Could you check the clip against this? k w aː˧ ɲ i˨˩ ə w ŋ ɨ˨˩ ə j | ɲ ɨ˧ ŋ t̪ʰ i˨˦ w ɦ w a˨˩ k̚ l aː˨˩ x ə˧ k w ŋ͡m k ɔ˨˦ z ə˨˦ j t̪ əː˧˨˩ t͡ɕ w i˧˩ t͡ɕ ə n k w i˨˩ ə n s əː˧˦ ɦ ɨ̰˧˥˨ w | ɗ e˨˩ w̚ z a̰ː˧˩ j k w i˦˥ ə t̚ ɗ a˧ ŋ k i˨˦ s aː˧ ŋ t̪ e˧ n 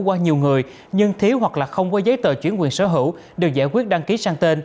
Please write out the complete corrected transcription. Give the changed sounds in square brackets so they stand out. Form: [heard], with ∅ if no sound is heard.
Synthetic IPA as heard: k w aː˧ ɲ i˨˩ ə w ŋ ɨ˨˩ ə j | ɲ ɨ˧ ŋ t̪ʰ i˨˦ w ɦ w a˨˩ k̚ l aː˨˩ x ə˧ [∅] w ŋ͡m k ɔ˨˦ z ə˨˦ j t̪ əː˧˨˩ t͡ɕ w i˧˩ [∅] ə n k w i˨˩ ə n s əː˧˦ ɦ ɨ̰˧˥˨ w | ɗ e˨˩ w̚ z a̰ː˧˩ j k w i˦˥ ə t̚ ɗ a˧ ŋ k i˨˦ s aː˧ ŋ t̪ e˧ n